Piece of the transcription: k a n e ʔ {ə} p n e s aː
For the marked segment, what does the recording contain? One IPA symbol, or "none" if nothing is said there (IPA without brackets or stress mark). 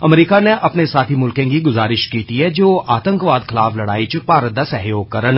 ɐ